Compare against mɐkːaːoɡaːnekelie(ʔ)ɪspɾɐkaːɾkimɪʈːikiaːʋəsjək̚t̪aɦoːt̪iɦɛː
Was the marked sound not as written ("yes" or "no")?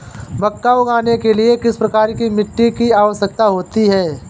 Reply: yes